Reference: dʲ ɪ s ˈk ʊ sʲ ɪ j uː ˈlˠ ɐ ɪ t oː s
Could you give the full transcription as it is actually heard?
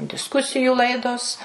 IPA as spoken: dʲ ɪ s ˈk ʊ sʲ ɪ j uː ˈlˠ ɐ ɪ d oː s